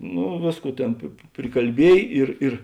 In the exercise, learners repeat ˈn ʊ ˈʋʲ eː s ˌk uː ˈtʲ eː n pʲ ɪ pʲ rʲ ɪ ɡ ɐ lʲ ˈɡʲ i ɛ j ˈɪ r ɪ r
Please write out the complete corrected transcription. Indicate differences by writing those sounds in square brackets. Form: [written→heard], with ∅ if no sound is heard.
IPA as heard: ˈn ʊ ˈʋʲ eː s ˌk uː ˈtʲ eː n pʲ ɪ pʲ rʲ ɪ [ɡ→k] ɐ lʲ [ˈɡʲ→ˈbʲ] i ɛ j ˈɪ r ɪ r